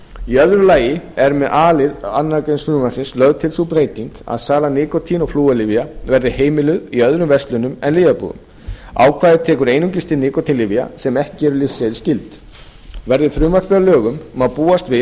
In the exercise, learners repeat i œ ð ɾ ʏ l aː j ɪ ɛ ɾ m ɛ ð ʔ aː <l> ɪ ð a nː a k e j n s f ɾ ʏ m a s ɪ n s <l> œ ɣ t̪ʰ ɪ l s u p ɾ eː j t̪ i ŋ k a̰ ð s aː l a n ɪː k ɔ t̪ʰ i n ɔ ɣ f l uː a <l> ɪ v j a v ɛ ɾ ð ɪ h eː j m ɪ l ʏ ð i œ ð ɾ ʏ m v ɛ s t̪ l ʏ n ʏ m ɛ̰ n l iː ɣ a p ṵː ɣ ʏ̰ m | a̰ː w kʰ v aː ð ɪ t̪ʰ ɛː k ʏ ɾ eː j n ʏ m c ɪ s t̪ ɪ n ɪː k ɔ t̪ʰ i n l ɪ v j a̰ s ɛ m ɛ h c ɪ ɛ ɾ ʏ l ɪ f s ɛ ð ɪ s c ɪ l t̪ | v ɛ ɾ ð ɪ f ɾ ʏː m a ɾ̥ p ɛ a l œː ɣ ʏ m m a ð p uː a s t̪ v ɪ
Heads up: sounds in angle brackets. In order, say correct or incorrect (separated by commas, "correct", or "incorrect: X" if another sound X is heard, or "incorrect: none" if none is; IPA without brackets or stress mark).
correct, correct, correct